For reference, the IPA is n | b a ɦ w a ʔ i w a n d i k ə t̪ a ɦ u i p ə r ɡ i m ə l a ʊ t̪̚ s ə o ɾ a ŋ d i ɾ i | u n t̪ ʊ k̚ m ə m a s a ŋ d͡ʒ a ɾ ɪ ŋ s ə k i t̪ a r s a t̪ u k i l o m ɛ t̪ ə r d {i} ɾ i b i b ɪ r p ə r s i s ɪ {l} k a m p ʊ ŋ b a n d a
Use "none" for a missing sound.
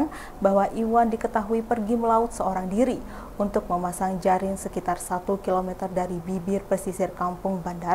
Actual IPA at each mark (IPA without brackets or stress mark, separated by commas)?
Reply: a, r